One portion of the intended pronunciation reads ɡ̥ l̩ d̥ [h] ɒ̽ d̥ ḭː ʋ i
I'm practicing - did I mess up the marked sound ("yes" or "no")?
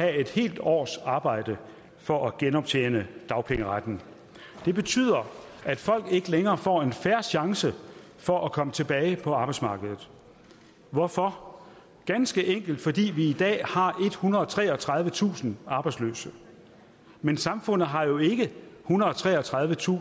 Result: yes